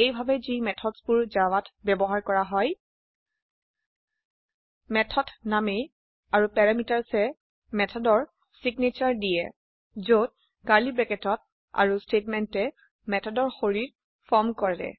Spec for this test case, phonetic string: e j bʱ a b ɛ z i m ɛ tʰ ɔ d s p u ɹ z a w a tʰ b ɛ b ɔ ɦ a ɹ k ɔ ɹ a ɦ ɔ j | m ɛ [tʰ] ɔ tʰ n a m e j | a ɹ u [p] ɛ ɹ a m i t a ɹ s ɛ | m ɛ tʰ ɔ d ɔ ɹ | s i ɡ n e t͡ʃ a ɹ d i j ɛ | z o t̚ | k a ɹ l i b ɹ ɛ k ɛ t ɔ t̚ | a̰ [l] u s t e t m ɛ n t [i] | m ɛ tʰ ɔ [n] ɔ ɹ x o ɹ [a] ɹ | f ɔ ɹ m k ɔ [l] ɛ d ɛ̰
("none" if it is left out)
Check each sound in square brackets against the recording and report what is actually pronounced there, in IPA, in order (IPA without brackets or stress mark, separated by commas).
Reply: tʰ, p, ɹ, ɛ, d, i, ɹ